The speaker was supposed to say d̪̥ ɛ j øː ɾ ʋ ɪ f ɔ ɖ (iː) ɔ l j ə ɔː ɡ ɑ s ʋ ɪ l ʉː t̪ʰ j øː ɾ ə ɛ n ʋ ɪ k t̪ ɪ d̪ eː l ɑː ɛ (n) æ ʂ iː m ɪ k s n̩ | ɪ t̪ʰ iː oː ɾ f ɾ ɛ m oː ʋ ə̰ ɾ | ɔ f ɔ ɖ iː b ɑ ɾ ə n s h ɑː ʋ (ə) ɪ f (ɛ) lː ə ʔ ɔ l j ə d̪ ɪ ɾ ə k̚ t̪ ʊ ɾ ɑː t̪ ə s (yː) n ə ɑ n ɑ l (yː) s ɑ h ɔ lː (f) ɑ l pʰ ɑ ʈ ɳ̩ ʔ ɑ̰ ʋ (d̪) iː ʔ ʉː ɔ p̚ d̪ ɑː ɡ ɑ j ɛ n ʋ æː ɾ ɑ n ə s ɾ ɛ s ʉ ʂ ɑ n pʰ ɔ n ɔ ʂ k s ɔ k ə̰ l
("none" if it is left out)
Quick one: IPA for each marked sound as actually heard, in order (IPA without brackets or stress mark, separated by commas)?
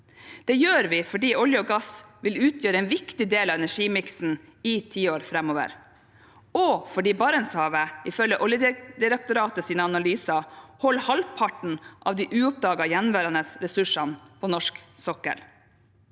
iː, n, ə, œ, iː, yː, h, d̪